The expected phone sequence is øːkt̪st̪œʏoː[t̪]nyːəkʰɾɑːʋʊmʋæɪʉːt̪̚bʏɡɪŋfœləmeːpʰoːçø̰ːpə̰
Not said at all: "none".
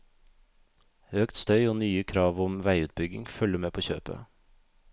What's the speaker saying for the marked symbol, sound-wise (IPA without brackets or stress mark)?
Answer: none